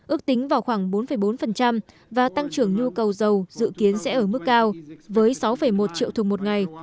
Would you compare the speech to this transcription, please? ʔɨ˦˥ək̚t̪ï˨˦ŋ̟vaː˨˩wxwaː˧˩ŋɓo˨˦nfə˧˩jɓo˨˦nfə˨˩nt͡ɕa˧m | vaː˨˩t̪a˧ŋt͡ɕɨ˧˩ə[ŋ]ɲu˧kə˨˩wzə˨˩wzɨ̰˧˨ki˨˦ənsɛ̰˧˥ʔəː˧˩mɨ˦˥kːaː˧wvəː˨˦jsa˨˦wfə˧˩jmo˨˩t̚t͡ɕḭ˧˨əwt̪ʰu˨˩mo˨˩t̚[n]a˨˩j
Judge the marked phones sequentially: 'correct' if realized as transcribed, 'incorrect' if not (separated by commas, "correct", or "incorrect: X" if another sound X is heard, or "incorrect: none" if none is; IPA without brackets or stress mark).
correct, incorrect: ŋ